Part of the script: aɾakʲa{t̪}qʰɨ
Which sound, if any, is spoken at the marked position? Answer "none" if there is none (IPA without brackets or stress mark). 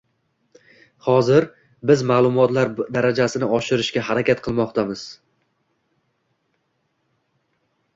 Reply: t̪